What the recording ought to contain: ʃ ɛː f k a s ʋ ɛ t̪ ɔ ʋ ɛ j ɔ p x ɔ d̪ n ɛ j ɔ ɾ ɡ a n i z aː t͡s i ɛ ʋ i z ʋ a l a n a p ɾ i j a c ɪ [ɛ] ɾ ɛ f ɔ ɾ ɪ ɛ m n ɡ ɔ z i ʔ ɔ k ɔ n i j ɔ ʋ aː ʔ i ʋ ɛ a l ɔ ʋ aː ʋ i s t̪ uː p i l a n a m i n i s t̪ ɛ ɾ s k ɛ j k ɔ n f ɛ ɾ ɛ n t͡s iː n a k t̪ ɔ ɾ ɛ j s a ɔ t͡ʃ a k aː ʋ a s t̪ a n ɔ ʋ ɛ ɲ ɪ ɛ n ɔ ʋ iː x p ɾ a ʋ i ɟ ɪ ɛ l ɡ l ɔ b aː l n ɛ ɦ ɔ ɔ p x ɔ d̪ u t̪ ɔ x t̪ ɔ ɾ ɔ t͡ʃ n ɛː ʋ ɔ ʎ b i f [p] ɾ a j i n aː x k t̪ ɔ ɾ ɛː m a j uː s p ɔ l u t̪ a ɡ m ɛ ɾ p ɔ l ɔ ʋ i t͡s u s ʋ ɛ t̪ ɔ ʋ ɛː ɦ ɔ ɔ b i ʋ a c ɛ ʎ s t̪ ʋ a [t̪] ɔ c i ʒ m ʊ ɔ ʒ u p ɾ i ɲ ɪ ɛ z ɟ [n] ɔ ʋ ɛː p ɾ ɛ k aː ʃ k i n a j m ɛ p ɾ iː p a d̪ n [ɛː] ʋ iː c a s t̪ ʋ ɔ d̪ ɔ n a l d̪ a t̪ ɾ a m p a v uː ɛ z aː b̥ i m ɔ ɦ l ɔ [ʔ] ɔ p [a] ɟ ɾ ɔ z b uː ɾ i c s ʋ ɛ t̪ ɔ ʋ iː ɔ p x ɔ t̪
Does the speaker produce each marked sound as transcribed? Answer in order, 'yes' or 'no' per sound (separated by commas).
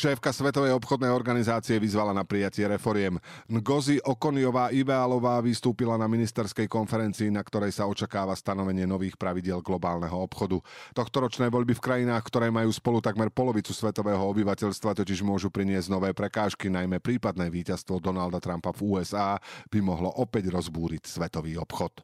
yes, no, yes, yes, yes, yes, no